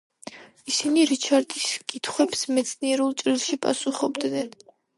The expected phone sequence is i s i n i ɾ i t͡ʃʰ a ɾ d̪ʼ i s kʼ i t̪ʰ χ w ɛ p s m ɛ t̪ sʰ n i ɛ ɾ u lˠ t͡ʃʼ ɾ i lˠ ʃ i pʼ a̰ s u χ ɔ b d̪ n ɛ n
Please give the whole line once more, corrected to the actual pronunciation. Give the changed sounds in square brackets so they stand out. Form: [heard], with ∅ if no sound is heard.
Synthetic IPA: i s i n i ɾ i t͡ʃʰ a ɾ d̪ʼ i s kʼ i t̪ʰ χ w ɛ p s m ɛ t̪ sʰ n i ɛ ɾ u lˠ t͡ʃʼ ɾ i lˠ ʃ i pʼ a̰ s u χ ɔ b d̪ n ɛ n